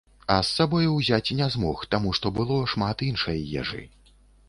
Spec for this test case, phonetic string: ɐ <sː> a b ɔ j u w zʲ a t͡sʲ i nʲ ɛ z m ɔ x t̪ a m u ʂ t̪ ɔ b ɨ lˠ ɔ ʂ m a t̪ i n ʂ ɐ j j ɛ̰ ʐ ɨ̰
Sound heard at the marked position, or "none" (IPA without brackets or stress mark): sː